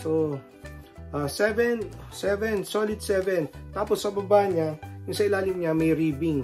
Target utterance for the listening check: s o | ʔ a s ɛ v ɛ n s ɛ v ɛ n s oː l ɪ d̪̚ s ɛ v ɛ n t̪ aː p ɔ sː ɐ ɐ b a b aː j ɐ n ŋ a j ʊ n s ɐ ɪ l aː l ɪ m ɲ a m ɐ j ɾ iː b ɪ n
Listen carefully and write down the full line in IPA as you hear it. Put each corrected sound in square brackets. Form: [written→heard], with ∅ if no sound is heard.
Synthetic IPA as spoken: s o | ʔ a s ɛ v ɛ n s ɛ v ɛ n s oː l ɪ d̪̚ s ɛ v ɛ n t̪ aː p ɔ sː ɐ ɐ b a b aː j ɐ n [ŋ→ɲ] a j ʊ [n→ŋ] s ɐ ɪ l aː l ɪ m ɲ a m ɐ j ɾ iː b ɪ [n→ŋ]